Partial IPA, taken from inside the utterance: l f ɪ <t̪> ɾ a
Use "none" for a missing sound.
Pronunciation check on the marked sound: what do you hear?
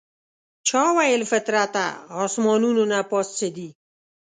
t̪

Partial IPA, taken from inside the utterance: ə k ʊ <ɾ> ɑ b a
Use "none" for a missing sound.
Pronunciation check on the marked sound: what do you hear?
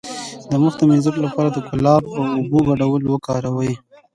l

